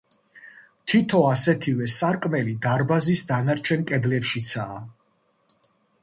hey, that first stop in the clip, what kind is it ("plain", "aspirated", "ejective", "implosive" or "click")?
aspirated